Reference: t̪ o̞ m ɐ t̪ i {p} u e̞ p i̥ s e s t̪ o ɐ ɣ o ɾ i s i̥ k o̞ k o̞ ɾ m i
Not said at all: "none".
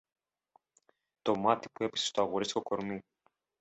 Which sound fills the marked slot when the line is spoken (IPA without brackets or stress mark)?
p